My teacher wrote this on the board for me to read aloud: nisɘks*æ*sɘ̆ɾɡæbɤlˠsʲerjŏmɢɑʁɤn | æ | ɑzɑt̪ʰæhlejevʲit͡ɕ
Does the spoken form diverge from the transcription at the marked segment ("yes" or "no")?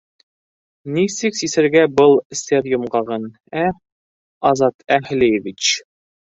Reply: yes